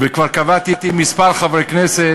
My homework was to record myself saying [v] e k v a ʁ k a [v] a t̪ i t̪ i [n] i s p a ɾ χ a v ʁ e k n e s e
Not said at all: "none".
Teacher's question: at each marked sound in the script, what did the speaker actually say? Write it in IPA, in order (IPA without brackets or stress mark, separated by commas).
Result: v, v, m